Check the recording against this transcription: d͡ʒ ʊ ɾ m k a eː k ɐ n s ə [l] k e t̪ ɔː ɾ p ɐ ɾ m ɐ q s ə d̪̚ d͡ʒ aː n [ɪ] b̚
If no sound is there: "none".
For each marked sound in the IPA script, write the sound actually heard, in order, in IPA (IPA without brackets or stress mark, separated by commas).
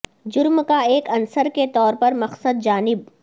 ɾ, ɪ